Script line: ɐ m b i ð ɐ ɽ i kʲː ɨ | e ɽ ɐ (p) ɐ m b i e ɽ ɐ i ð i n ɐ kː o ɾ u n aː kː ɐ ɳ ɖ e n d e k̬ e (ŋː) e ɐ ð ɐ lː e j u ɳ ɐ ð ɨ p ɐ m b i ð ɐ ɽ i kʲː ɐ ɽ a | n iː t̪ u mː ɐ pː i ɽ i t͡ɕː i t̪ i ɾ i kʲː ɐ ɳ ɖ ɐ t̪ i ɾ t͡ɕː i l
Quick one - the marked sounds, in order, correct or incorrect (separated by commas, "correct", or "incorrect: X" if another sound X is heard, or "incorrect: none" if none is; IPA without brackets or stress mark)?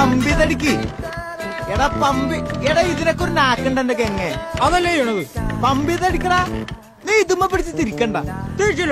correct, correct